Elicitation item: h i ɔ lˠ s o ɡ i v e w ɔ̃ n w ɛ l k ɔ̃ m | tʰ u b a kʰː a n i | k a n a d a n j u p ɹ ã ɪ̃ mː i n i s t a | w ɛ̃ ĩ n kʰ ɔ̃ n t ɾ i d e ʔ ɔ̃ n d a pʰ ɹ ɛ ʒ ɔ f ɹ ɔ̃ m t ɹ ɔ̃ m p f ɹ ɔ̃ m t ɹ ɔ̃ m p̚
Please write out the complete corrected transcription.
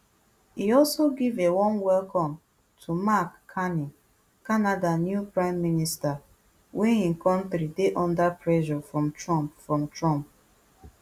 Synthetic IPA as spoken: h i ɔ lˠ s o ɡ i v e w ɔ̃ n w ɛ l k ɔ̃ m | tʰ u m a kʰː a n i | k a n a d a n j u p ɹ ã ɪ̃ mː i n i s t a | w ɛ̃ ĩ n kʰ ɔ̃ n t ɾ i d e ʔ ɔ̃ n d a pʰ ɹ ɛ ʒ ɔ f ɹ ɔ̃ m t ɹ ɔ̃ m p f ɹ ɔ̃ m t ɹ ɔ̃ m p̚